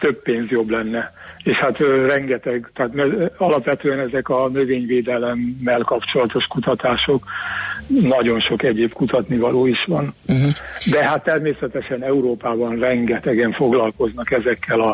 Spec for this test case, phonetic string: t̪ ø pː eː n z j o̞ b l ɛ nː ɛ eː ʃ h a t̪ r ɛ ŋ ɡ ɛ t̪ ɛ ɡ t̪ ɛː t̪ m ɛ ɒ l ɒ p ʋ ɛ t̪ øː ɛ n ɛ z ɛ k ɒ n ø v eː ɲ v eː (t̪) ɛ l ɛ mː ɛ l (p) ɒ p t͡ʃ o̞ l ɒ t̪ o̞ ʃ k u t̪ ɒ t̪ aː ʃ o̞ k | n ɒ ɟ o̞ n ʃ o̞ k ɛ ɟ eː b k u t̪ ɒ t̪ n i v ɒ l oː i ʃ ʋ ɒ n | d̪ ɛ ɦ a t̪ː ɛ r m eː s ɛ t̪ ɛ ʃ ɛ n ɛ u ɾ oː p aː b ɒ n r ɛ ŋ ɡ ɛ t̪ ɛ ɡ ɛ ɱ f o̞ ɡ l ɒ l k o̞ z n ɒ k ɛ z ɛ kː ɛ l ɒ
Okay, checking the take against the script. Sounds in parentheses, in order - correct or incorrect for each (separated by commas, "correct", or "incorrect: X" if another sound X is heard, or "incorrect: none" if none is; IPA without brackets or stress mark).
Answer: incorrect: d̪, incorrect: k